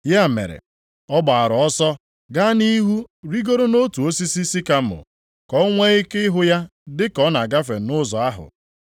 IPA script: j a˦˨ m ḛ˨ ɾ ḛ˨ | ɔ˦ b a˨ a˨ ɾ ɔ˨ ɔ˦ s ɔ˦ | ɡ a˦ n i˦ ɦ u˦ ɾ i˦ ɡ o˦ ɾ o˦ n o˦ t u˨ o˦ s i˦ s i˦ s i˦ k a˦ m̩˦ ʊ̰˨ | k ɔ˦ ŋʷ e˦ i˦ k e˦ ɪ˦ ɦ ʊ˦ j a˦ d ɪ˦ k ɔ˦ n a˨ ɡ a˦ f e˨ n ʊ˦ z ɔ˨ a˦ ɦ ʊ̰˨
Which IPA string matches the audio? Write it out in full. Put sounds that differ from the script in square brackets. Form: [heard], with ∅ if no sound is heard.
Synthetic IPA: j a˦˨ m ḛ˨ ɾ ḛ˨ | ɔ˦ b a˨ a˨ ɾ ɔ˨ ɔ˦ s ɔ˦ | ɡ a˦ n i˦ ɦ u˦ ɾ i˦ ɡ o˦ ɾ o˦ n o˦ t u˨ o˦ s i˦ s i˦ s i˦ k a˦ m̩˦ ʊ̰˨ | k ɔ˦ ŋʷ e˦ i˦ k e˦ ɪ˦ ɦ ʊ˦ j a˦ d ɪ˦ k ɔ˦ n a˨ ɡ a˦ f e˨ n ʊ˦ z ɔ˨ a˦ ɦ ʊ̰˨

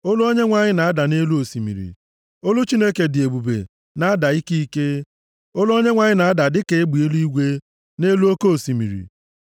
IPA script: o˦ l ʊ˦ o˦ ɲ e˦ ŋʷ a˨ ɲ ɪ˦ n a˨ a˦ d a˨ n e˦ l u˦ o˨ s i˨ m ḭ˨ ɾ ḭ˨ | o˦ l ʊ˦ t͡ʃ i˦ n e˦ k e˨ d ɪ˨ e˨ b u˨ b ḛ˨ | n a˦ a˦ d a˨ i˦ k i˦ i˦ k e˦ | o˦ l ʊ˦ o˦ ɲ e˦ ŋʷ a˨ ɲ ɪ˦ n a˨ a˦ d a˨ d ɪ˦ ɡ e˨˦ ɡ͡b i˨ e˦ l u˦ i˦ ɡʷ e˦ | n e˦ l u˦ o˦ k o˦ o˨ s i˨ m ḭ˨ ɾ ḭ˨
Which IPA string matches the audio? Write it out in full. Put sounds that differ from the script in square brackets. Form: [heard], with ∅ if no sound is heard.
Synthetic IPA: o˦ l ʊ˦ o˦ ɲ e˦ ŋʷ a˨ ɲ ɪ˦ n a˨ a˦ d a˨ n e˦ l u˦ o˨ s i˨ m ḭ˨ ɾ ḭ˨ | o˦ l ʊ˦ t͡ʃ i˦ n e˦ k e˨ d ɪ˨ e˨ b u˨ b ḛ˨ | n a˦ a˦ d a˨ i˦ k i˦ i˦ k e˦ | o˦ l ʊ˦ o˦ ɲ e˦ ŋʷ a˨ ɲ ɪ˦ n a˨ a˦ d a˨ d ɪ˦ [k] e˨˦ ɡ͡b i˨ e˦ l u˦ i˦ ɡʷ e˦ | n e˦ l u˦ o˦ k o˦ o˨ s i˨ m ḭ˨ ɾ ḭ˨

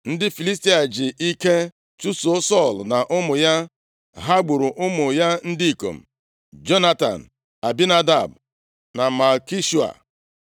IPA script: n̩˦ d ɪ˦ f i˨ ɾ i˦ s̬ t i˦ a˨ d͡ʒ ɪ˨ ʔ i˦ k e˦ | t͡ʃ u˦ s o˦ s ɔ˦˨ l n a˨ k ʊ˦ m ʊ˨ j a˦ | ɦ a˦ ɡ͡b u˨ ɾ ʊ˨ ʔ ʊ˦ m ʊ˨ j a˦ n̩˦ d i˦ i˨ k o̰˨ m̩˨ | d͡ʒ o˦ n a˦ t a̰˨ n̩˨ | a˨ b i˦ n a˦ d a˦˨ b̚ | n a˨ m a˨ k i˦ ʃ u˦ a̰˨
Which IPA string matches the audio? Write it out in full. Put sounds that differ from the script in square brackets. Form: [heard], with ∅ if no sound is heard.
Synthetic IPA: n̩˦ d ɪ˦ f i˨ [l] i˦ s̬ t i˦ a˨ d͡ʒ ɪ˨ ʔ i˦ k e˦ | t͡ʃ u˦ s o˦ s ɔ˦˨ l n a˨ [ʔ] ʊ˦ m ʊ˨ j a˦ | ɦ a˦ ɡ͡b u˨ ɾ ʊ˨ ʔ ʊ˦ m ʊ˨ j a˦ n̩˦ d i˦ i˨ k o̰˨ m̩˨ | d͡ʒ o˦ n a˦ t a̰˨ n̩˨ | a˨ b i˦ n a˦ d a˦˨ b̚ | n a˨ m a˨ k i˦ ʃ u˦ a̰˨

